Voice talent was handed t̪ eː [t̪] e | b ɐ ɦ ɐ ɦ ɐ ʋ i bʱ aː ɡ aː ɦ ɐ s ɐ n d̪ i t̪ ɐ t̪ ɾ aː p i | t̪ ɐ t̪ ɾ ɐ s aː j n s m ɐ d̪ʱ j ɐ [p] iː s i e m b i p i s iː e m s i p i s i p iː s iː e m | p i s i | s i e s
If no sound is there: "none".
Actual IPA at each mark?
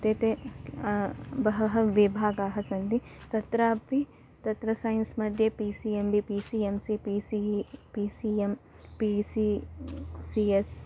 t̪, p

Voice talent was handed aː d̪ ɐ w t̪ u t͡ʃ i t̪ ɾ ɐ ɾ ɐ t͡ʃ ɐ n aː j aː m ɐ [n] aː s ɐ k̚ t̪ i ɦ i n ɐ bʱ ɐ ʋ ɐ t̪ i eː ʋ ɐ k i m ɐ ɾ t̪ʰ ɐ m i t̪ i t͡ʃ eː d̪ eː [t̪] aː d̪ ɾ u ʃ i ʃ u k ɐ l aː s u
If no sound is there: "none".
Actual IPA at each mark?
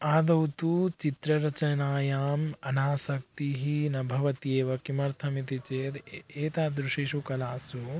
n, t̪

